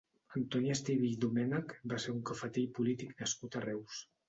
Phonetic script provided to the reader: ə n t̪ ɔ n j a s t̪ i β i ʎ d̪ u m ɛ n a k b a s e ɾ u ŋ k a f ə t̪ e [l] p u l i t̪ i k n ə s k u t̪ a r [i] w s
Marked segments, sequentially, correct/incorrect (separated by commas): incorrect, incorrect